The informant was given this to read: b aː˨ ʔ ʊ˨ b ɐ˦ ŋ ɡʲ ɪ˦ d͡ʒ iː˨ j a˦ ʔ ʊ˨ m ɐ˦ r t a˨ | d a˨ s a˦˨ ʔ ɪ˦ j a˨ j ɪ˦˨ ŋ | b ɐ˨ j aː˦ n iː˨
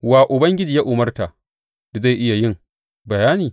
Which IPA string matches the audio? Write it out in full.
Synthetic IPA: w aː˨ ʔ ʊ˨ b ɐ˦ ŋ ɡʲ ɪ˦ d͡ʒ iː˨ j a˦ ʔ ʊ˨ m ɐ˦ r t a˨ | d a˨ z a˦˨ ʔ ɪ˦ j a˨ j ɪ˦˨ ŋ | b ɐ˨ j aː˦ n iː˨